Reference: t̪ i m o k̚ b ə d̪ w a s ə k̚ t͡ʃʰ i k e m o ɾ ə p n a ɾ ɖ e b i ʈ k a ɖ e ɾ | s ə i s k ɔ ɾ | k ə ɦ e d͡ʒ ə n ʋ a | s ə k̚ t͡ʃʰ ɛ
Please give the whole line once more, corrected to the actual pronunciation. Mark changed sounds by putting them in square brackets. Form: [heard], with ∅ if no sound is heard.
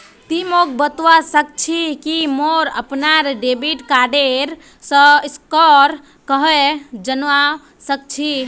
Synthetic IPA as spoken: t̪ i m o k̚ b ə [t̪] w a s ə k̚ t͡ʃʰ i k [i] m o ɾ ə p n a ɾ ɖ e b i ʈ k a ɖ e ɾ | s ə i s k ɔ ɾ | k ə ɦ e d͡ʒ ə n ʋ a | s ə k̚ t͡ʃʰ [i]

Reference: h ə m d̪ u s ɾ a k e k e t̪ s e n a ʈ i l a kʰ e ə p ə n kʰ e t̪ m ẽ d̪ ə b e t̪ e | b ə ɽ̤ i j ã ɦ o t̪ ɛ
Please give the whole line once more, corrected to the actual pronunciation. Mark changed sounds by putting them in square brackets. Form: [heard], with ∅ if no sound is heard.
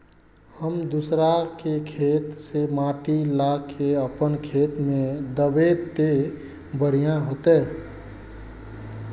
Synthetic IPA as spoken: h ə m d̪ u s ɾ a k e [kʰ] e t̪ s e [m] a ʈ i l a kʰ e ə p ə n kʰ e t̪ m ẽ d̪ ə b e t̪ e | b ə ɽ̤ i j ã ɦ o t̪ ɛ

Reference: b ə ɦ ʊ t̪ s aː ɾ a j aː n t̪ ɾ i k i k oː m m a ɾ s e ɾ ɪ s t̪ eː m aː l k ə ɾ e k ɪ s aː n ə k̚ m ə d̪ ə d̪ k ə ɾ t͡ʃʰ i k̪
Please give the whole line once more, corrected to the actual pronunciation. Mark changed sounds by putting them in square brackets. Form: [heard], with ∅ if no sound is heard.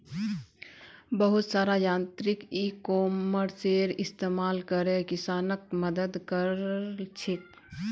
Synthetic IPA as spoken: b ə ɦ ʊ t̪ s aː ɾ a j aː n t̪ ɾ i k i k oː m m [ə] ɾ s e ɾ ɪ s t̪ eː m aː l k ə ɾ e k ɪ s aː n ə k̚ m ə d̪ ə d̪ k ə ɾ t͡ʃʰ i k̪

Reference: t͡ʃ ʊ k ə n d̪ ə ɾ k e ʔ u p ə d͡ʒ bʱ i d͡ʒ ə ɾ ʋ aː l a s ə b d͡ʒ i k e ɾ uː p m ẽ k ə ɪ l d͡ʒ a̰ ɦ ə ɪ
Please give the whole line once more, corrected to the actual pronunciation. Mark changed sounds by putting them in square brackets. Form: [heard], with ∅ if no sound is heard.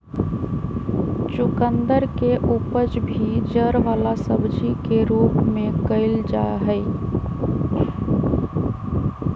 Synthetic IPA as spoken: t͡ʃ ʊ k ə n d̪ ə ɾ k e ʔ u p ə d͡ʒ bʱ i d͡ʒ ə ɾ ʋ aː l a s ə b d͡ʒ i k e ɾ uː p m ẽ k ə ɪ l d͡ʒ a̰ ɦ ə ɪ

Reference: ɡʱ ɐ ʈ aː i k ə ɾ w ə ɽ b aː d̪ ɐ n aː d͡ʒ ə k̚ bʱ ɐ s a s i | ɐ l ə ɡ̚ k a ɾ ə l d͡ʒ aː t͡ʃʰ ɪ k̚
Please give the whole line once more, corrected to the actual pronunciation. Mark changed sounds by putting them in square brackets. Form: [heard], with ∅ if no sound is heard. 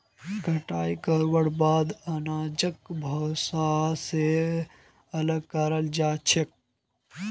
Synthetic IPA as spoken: ɡʱ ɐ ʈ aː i k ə ɾ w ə ɽ b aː d̪ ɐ n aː d͡ʒ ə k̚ bʱ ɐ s a s [e] | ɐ l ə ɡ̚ k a ɾ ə l d͡ʒ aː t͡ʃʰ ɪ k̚

